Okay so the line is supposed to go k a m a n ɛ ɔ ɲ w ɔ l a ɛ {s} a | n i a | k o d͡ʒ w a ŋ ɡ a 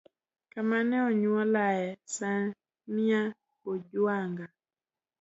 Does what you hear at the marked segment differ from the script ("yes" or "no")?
no